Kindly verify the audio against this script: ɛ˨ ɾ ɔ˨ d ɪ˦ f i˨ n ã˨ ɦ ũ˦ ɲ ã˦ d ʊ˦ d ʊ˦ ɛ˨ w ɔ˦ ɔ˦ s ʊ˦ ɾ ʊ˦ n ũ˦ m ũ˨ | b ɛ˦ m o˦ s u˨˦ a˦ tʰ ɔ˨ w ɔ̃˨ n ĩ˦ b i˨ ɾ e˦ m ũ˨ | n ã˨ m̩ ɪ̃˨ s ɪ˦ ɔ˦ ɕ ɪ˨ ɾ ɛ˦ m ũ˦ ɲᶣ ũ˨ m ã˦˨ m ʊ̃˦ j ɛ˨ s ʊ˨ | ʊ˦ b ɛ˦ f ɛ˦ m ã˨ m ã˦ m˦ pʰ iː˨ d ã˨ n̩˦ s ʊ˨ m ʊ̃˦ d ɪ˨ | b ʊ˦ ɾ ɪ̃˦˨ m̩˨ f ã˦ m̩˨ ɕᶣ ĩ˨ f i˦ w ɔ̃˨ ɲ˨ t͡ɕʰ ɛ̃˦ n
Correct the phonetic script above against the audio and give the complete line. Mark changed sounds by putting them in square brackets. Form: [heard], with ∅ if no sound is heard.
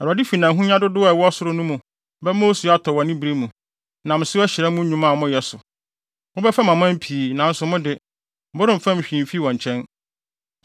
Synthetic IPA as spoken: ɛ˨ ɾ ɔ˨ d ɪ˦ f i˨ n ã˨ ɦ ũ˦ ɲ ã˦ d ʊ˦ d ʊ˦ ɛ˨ w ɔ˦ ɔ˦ s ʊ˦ ɾ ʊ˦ n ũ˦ m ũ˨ | b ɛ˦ m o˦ s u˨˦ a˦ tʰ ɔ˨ w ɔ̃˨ n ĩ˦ b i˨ ɾ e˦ m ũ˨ | n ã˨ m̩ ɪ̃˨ s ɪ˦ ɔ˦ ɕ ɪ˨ ɾ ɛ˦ m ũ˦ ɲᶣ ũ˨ m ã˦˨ m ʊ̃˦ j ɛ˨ s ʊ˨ | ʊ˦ b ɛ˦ f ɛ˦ m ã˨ m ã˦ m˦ pʰ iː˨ [n] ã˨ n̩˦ s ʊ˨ m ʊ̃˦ d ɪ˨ | b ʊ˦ ɾ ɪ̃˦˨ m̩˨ f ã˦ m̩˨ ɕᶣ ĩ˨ f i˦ w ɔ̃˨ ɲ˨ t͡ɕʰ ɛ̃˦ n